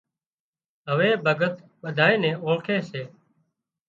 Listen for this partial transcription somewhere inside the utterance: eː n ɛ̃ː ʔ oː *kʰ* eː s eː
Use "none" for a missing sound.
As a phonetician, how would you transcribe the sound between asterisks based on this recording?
kʰ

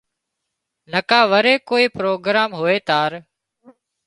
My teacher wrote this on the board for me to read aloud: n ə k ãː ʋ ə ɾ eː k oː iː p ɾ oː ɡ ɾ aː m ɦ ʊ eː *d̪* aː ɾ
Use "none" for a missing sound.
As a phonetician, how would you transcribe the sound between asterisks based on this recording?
t̪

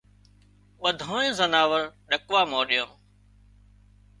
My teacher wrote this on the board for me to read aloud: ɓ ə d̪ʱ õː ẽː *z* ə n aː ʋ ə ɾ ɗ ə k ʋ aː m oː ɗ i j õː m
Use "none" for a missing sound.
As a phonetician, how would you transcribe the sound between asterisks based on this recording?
z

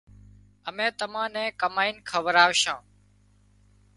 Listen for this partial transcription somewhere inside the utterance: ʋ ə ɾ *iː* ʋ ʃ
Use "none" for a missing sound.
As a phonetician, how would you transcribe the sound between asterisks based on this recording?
aː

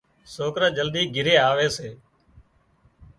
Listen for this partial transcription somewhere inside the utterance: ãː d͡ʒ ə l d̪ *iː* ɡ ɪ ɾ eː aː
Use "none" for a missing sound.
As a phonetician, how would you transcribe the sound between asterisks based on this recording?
iː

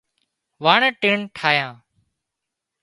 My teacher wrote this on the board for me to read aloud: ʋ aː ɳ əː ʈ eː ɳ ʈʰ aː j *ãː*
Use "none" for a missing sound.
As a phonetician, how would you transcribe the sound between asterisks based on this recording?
ãː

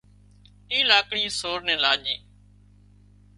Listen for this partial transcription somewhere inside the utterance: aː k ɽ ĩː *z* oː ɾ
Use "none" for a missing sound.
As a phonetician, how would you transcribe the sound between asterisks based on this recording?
s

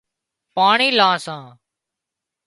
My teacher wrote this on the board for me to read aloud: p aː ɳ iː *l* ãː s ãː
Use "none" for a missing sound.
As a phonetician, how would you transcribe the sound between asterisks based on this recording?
l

